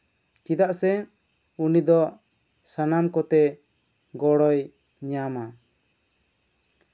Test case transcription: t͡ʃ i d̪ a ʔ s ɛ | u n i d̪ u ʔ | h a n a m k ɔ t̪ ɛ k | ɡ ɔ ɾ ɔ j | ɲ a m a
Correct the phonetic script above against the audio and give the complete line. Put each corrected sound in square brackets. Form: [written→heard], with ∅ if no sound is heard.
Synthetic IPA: t͡ʃ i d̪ a ʔ s ɛ | u n i d̪ [u→ɔ] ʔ | [h→s] a n a m k ɔ t̪ ɛ [k→∅] | ɡ ɔ [ɾ→ɽ] ɔ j | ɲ a m a